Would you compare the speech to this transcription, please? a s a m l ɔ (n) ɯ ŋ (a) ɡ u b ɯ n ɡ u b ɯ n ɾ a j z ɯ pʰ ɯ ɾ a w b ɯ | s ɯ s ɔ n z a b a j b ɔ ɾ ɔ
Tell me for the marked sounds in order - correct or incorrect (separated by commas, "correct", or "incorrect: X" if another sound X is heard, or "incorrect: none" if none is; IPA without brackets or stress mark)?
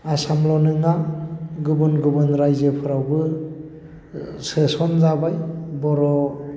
correct, correct